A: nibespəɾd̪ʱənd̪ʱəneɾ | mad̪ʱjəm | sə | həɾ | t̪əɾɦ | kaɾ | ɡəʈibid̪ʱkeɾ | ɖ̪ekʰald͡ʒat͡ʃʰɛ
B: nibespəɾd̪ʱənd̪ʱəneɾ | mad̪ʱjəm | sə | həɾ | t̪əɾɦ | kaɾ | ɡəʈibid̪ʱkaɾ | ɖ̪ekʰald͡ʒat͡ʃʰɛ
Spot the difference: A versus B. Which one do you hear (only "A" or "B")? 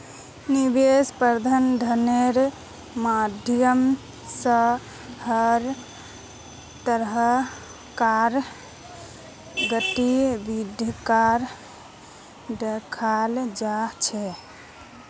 B